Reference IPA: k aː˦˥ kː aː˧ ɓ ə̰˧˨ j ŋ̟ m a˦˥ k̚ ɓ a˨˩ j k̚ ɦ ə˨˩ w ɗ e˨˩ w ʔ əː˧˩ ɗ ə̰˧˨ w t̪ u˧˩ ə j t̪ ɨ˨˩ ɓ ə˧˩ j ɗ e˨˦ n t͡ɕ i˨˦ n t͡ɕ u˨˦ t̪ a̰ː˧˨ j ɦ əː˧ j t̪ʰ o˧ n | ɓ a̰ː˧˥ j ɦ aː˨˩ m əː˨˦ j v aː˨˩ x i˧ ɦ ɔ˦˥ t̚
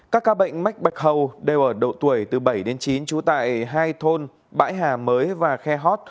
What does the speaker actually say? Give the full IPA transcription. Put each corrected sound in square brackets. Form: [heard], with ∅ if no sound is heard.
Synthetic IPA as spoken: k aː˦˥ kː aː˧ ɓ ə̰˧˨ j ŋ̟ m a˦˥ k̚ ɓ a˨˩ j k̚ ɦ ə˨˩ w ɗ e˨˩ w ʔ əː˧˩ ɗ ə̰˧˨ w t̪ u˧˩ ə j t̪ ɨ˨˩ ɓ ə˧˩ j ɗ e˨˦ n t͡ɕ i˨˦ n t͡ɕ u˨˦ t̪ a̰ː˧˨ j ɦ [aː˧] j t̪ʰ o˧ n | ɓ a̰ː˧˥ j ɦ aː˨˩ m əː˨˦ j v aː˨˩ x [ɛ˧] ɦ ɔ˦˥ t̚